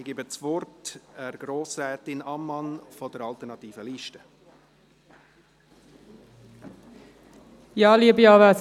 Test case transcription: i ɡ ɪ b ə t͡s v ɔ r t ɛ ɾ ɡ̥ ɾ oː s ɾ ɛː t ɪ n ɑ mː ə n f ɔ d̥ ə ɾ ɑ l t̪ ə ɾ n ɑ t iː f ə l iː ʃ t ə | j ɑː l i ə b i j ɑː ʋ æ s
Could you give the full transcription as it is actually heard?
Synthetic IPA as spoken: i ɡ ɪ b ə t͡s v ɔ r t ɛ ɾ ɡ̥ ɾ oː s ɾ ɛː t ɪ n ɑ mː ɑ n f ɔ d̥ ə ɾ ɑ l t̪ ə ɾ n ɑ t iː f ə l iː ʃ t ə | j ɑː l i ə b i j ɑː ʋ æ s